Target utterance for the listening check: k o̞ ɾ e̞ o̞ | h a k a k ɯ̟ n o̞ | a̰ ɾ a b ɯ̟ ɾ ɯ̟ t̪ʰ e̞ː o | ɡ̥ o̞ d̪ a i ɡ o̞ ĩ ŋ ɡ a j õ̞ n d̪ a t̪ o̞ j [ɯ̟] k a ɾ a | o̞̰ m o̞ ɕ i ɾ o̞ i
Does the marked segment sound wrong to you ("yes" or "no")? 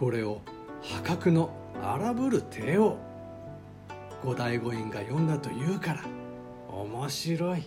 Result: yes